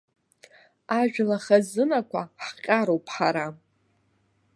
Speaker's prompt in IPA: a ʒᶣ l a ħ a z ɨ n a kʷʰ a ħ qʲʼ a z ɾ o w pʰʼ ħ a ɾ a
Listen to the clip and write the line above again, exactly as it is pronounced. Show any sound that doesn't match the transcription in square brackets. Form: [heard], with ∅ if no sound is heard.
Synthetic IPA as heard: a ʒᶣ l a [χ] a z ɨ n a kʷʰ a ħ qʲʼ a [∅] ɾ o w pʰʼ ħ a ɾ a